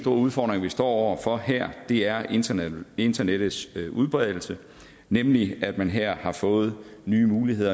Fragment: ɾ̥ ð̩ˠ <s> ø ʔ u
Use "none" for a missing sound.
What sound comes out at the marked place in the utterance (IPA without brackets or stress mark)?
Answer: s